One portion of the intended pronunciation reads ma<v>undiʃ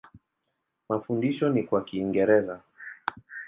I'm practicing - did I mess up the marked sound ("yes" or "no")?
yes